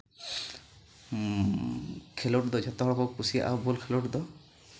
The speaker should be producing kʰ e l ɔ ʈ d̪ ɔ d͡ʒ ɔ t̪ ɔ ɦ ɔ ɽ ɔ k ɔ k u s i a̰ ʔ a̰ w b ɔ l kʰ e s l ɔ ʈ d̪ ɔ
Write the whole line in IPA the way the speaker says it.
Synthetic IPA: kʰ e l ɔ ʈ d̪ ɔ d͡ʒ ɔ t̪ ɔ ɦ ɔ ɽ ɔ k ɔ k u s i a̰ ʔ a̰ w b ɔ l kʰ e l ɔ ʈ d̪ ɔ